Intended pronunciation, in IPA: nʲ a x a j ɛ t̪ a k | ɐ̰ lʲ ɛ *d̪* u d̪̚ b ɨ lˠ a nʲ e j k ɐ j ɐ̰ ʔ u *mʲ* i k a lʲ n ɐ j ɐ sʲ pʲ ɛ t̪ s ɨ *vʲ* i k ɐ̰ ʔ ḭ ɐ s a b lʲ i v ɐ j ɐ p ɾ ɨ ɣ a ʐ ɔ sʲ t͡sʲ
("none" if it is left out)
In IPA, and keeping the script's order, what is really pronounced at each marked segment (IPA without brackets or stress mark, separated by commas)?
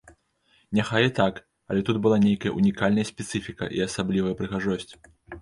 t̪, nʲ, fʲ